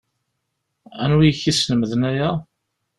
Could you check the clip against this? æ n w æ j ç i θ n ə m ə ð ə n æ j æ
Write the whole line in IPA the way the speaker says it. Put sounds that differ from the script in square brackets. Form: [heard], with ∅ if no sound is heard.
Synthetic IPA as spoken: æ n w [i] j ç i [s] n ə m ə ð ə n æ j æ